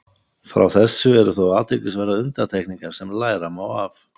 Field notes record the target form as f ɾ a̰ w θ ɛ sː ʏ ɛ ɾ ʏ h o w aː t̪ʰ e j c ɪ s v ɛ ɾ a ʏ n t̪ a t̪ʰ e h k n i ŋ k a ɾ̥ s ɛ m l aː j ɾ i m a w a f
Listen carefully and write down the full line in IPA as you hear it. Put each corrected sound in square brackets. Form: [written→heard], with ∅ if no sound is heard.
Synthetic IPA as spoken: f ɾ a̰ w θ ɛ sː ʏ ɛ ɾ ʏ [h→θ] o w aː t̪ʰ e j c ɪ s v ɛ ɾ a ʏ n t̪ a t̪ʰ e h k n i ŋ k a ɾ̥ s ɛ m l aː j ɾ [i→a] m a w a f